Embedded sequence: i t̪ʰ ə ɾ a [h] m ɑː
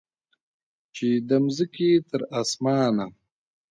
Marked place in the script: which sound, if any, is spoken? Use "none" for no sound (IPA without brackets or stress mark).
s